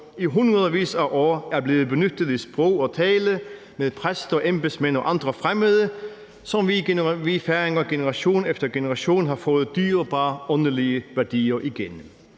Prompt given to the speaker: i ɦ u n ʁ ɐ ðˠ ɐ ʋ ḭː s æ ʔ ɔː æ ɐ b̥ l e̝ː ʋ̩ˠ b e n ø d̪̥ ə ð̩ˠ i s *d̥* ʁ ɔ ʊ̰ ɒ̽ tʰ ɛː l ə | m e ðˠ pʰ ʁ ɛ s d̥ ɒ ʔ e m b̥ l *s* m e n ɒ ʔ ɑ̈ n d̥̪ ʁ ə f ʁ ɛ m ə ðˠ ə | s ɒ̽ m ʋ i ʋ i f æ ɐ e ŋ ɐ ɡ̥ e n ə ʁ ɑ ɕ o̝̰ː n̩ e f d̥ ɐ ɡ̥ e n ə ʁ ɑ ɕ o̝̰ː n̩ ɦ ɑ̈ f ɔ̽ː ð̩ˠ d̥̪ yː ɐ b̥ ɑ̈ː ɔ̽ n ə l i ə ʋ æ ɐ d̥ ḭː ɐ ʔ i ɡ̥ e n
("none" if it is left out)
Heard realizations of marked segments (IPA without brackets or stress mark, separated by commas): b̥, s